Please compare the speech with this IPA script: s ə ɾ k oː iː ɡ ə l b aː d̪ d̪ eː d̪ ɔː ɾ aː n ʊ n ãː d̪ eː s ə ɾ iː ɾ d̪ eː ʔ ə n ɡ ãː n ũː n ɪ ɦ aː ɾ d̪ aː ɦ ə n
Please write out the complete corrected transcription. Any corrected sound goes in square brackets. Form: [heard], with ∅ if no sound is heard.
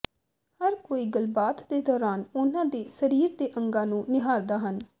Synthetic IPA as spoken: [h] ə ɾ k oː iː ɡ ə l b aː [t̪] d̪ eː d̪ ɔː ɾ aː n ʊ n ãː d̪ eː s ə ɾ iː ɾ d̪ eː ʔ ə [ŋ] ɡ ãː n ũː n ɪ ɦ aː ɾ d̪ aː ɦ ə n